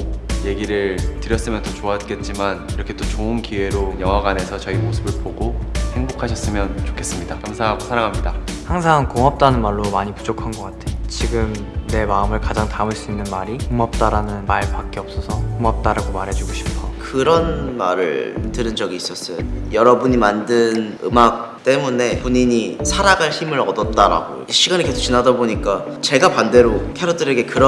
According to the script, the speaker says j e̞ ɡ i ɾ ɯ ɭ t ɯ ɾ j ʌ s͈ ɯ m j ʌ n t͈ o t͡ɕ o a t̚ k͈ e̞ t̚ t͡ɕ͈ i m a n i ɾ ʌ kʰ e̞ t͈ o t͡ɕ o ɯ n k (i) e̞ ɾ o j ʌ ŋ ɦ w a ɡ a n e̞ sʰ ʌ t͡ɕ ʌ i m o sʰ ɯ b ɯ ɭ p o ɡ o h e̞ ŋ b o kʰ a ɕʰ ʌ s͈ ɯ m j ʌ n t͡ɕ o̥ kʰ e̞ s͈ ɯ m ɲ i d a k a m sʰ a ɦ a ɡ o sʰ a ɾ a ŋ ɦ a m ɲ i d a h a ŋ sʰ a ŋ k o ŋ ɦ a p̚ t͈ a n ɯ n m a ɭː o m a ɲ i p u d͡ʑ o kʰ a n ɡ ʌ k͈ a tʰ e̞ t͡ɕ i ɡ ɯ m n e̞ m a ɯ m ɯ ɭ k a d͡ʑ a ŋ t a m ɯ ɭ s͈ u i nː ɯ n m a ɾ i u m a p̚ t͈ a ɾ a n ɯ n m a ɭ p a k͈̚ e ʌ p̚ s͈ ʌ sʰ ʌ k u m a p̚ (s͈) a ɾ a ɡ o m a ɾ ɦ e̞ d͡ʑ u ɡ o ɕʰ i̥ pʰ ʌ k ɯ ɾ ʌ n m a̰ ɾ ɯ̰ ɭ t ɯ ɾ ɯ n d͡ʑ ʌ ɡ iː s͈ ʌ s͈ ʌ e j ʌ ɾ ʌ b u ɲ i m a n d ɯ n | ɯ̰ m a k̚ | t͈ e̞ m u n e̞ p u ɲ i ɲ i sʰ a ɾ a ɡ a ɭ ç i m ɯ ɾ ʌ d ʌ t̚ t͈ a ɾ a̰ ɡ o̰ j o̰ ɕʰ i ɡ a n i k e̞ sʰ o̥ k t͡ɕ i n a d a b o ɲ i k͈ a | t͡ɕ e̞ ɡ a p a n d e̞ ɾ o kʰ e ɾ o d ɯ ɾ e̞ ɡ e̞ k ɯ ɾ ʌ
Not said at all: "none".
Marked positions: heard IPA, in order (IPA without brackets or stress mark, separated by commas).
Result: i, t͈